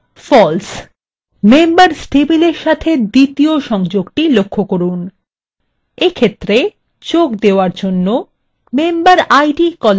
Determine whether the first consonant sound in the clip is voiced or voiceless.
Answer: voiceless